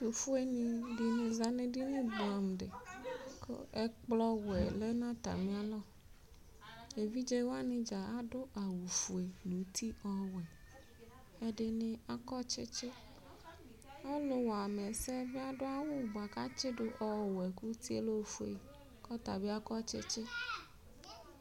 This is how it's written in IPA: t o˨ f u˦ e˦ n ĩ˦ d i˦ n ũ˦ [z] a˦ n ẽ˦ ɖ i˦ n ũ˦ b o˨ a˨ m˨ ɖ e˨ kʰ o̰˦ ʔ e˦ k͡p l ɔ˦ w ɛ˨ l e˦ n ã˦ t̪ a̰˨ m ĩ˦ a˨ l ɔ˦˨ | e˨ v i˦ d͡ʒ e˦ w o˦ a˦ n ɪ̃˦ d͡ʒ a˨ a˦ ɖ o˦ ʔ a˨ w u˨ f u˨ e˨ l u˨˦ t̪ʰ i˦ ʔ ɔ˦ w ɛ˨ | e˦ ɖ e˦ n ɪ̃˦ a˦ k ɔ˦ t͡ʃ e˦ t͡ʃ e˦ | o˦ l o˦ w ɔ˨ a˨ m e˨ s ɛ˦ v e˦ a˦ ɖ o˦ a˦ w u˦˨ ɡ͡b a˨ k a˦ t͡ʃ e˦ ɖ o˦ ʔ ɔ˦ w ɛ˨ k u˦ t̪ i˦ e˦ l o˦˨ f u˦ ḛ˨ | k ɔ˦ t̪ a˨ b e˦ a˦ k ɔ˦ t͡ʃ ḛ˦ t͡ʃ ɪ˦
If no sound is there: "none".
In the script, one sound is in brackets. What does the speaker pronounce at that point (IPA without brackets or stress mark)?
z